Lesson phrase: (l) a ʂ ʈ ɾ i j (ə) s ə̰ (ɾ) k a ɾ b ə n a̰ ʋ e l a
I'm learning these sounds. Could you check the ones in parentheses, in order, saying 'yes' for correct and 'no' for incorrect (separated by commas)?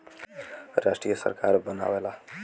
no, yes, yes